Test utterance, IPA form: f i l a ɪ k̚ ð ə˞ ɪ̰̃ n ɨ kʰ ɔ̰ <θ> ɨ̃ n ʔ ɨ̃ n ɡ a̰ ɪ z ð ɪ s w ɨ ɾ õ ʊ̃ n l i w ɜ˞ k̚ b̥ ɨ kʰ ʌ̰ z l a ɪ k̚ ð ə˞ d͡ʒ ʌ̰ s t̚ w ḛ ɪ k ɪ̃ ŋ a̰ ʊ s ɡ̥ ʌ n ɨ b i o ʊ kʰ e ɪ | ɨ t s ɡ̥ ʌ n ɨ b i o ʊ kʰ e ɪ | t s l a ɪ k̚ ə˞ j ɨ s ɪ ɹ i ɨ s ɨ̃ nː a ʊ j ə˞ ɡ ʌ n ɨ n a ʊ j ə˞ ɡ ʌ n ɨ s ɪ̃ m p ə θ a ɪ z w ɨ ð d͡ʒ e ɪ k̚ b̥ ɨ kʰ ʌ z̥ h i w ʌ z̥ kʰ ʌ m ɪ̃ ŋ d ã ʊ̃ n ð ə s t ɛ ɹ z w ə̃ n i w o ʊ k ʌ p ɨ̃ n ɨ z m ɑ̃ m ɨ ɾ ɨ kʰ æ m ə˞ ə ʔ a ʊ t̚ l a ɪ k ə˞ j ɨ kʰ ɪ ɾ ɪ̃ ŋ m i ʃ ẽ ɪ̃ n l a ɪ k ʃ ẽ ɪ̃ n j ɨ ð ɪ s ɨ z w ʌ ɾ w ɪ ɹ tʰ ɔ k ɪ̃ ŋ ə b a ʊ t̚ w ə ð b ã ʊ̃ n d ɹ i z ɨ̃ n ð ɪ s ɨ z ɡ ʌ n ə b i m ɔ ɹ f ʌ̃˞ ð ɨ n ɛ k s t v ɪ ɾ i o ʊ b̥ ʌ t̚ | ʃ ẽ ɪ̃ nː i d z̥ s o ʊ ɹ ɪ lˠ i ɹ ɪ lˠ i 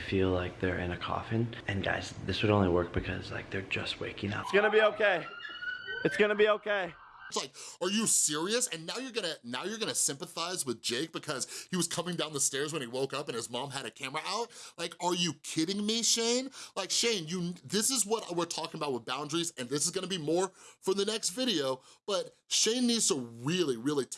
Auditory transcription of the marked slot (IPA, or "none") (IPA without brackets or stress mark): f